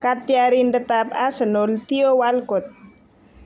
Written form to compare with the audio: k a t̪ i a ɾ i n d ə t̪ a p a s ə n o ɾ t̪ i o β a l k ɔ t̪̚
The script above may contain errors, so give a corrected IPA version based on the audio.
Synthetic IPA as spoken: k a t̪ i a ɾ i n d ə t̪ a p a s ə n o l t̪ i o w a l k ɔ t̪̚

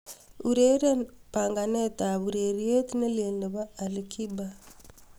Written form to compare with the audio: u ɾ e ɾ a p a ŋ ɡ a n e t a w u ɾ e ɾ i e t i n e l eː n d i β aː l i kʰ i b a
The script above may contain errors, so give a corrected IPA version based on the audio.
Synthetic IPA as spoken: u ɾ e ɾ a p a ŋ ɡ a n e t a β u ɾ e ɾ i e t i n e l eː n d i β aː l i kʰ i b a

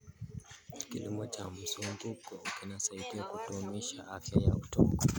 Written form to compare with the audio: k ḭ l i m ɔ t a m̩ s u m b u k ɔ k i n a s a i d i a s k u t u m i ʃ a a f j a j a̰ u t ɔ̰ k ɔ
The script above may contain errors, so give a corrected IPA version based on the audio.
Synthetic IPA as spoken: k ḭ l i m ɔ t͡ʃ a m̩ s u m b u k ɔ k i n a s a i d i a k u t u m i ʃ a a f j a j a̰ u t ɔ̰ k ɔ

